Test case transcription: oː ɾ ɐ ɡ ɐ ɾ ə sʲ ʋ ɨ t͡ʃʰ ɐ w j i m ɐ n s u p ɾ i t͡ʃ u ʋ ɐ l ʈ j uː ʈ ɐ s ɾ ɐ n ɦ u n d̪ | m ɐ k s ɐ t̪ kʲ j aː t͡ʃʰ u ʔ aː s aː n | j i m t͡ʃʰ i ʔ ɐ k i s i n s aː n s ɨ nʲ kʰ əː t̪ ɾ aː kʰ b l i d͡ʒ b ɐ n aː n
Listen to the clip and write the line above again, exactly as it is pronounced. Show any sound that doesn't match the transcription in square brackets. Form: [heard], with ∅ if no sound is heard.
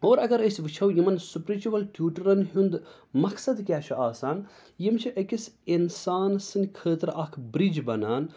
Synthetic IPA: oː ɾ ɐ ɡ ɐ ɾ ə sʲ ʋ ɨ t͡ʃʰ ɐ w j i m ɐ n s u p ɾ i t͡ʃ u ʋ ɐ l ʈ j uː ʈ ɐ [∅] ɾ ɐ n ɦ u n d̪ | m ɐ k s ɐ [d̪] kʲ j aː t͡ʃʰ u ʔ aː s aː n | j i m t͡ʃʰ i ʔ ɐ k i s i n s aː n s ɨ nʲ kʰ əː t̪ ɾ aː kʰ b [ɾ] i d͡ʒ b ɐ n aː n